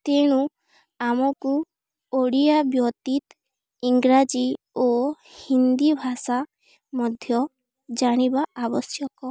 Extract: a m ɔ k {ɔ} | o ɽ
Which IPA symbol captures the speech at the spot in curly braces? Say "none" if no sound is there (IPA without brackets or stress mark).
u